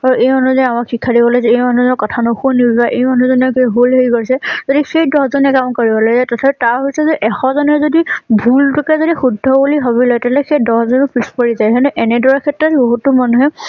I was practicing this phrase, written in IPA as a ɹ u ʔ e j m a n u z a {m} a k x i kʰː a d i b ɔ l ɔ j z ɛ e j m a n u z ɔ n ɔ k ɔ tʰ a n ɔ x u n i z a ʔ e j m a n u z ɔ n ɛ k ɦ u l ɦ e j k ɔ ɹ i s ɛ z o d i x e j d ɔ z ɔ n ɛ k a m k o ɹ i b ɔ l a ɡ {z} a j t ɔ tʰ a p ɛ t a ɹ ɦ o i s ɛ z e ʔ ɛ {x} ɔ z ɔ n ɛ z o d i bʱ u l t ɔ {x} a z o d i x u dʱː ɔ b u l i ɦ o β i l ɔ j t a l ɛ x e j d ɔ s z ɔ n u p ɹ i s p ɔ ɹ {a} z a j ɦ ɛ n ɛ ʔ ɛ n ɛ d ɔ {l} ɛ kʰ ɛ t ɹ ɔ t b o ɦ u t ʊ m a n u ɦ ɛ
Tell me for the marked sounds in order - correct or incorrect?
correct, correct, correct, incorrect, incorrect, incorrect

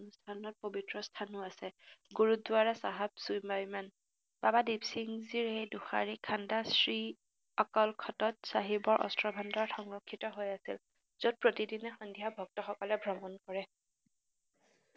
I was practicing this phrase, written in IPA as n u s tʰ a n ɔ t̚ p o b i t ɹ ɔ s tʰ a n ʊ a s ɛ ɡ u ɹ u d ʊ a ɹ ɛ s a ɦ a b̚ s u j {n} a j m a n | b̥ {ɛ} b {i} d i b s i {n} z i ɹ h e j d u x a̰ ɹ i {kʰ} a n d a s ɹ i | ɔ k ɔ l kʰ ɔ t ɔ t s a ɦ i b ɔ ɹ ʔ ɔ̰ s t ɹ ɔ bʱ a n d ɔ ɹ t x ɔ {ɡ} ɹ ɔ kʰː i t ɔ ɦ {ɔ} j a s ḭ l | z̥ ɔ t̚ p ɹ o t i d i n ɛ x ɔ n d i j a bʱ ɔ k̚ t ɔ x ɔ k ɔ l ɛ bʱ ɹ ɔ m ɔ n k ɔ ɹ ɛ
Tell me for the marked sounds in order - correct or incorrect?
incorrect, incorrect, incorrect, incorrect, correct, incorrect, incorrect

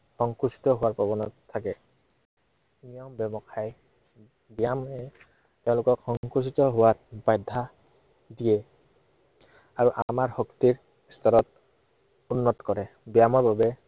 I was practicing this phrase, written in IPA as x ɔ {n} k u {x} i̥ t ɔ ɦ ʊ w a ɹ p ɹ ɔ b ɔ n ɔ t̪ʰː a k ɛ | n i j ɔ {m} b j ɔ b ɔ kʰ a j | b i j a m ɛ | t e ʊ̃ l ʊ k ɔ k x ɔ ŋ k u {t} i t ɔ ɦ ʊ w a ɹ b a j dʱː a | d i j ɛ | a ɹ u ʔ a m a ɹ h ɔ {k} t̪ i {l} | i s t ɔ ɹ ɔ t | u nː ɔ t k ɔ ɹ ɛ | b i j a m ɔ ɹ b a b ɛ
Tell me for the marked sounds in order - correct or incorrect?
incorrect, incorrect, correct, incorrect, correct, incorrect

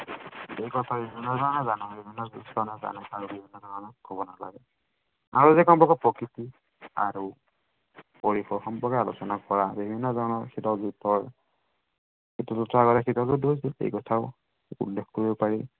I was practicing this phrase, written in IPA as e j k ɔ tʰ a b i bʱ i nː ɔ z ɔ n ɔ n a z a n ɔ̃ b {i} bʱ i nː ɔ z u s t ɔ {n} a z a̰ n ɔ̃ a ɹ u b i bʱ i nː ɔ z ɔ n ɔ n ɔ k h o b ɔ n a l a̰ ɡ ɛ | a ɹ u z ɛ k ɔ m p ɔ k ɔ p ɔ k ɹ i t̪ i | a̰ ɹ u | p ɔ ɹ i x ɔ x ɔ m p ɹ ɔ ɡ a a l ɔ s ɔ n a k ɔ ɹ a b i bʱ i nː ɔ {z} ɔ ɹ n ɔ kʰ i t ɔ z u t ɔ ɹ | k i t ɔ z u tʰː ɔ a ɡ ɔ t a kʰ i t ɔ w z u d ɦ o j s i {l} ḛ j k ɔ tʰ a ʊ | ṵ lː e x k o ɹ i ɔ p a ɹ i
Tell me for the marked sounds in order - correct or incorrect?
correct, correct, correct, correct

